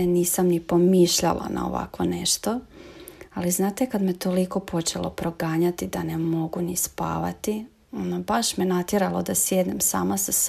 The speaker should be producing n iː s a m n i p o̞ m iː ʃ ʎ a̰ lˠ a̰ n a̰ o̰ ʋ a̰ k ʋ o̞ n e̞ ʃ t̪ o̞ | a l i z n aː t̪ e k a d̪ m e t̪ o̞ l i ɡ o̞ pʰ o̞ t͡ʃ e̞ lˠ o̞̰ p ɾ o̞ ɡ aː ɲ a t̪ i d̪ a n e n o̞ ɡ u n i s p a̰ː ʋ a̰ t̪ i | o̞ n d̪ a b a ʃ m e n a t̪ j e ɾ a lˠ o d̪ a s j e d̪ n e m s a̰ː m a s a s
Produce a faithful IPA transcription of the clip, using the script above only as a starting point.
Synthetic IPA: n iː s a m n i p o̞ m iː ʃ ʎ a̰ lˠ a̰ n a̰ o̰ ʋ a̰ k ʋ o̞ n e̞ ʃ t̪ o̞ | a l i z n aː t̪ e k a d̪ m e t̪ o̞ l i k o̞ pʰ o̞ t͡ʃ e̞ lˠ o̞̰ p ɾ o̞ ɡ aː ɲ a t̪ i d̪ a n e m o̞ ɡ u n i s p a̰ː ʋ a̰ t̪ i | o̞ n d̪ a b a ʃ m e n a t̪ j e ɾ a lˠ o d̪ a s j e d̪ n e m s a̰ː m a s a s